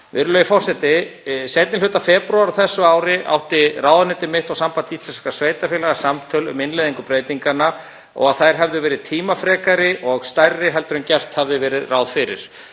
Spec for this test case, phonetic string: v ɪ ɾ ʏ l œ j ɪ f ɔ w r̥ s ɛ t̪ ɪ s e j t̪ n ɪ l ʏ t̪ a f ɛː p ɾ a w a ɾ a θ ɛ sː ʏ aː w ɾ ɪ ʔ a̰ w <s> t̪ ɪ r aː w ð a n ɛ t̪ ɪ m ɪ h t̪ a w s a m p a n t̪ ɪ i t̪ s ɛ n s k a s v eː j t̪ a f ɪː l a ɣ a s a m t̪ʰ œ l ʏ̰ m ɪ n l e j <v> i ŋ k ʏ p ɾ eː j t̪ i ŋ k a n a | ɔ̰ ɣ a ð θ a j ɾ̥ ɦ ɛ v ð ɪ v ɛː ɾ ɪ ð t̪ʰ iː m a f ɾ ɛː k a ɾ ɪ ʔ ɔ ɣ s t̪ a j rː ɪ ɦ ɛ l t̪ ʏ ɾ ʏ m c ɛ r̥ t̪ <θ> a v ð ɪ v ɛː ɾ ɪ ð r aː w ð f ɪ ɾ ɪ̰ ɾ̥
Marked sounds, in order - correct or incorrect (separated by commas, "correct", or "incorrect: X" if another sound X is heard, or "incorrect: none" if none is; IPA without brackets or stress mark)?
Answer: incorrect: h, incorrect: ð, incorrect: h